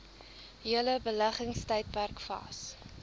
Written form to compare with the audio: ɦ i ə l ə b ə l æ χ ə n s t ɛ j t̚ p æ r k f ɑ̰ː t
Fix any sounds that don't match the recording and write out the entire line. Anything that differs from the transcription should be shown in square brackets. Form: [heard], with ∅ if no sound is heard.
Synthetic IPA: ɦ i ə l ə b ə l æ χ ə [ŋ] s t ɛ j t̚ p æ r k f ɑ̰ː [s]